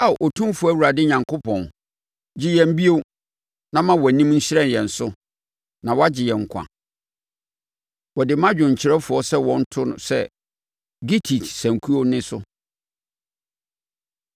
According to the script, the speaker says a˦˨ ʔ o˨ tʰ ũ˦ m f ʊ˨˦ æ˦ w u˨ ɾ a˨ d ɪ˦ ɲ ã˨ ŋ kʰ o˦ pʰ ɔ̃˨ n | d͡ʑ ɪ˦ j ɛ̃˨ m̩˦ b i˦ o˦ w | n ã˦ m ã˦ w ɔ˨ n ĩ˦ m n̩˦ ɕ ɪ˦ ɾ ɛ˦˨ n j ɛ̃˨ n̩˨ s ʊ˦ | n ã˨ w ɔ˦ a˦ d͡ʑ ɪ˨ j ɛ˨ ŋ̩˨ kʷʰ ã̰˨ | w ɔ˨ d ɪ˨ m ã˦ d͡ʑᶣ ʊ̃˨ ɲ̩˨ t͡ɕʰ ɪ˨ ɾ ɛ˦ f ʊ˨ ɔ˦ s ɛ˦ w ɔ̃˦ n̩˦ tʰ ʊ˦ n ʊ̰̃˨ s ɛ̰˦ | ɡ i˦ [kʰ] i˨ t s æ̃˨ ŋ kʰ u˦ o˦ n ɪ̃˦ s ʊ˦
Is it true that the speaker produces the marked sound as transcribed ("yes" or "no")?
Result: no